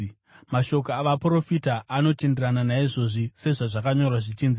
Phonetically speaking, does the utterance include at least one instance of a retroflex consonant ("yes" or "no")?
yes